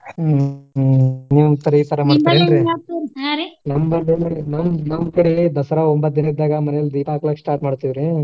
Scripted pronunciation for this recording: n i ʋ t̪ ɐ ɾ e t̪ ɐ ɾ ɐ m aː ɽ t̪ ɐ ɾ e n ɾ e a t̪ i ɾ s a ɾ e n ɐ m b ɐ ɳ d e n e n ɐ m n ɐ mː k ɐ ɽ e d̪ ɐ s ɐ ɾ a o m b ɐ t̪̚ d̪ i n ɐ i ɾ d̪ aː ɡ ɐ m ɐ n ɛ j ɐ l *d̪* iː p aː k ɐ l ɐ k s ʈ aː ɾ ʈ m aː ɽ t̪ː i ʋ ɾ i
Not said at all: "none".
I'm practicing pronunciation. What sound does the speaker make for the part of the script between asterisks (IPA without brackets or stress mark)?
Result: d̪